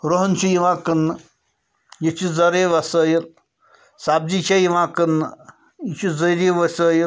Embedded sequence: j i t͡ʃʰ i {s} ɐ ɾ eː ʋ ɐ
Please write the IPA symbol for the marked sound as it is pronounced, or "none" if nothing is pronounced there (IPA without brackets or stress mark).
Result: z